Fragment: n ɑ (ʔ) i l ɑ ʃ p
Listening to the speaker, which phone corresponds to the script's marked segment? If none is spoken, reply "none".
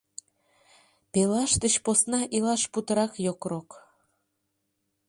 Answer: ʔ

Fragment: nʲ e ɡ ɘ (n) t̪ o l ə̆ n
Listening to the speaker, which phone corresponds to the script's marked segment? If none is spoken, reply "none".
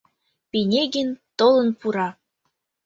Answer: n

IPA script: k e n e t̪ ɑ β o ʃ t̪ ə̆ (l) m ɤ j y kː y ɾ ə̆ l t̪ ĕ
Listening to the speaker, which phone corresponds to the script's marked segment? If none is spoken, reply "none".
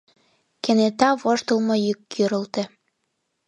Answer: l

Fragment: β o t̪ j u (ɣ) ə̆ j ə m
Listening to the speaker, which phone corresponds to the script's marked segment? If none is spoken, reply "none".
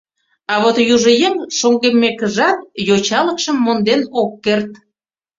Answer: ʒ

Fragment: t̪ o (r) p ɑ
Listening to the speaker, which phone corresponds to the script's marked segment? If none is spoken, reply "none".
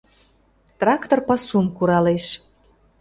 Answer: r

